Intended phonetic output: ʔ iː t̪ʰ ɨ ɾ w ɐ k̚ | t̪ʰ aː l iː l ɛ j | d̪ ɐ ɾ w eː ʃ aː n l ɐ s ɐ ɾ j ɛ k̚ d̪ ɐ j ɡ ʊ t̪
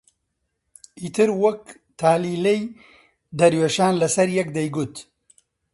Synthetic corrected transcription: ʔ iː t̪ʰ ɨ ɾ w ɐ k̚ | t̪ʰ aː l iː l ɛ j | d̪ ɐ ɾ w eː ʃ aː n l ɐ s ɐ ɾ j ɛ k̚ d̪ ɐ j ɡ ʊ t̪